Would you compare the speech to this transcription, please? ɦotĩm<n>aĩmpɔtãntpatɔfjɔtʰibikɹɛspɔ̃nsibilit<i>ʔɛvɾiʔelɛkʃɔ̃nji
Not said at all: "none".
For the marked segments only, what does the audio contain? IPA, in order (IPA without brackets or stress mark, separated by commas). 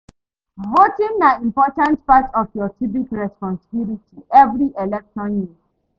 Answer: n, i